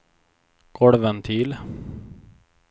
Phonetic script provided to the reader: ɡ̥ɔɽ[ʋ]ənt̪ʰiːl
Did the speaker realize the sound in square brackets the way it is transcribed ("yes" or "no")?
yes